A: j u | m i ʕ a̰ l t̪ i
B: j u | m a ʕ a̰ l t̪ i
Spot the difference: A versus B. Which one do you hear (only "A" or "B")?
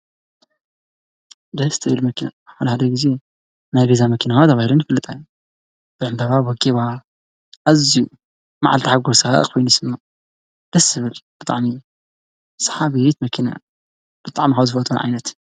B